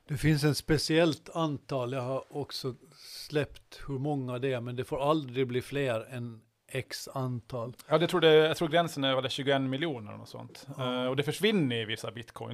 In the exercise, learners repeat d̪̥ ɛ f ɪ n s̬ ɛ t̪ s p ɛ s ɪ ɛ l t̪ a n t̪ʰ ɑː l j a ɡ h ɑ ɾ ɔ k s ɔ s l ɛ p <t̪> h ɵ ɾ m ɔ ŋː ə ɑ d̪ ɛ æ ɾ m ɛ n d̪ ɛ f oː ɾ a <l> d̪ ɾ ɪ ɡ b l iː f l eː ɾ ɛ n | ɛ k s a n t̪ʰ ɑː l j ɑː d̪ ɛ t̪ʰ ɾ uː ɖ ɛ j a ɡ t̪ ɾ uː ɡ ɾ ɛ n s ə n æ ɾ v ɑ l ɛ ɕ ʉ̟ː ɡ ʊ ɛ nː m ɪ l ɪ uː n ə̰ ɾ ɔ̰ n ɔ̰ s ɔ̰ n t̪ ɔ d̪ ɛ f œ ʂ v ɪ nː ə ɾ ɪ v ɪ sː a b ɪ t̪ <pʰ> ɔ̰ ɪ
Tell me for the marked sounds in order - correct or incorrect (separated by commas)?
correct, correct, incorrect